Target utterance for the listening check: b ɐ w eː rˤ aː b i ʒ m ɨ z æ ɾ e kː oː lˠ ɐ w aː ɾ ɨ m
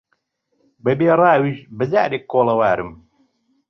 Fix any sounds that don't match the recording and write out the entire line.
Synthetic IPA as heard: b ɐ b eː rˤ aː w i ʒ b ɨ z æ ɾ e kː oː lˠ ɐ w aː ɾ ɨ m